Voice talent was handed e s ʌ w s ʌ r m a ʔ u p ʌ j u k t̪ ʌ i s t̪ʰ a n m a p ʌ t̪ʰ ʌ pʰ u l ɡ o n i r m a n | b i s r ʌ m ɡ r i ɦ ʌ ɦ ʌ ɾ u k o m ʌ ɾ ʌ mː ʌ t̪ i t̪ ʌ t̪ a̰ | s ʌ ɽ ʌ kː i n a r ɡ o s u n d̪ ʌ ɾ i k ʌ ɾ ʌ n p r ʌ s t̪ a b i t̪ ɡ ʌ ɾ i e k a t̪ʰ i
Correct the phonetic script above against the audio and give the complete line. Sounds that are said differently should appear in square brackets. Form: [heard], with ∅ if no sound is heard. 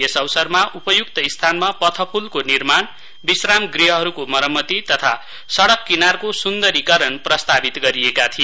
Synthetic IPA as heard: e s ʌ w s ʌ r m a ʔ u p ʌ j u k t̪ ʌ i s t̪ʰ a n m a p ʌ t̪ʰ ʌ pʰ u l [k] o n i r m a n | b i s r [a] m ɡ r i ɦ ʌ ɦ ʌ ɾ u k o m ʌ ɾ ʌ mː ʌ t̪ i t̪ ʌ [t̪ʰ] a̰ | s ʌ ɽ ʌ kː i n a r [k] o s u n d̪ ʌ ɾ i k ʌ ɾ ʌ n p r ʌ s t̪ a b i t̪ ɡ ʌ ɾ i e k a t̪ʰ i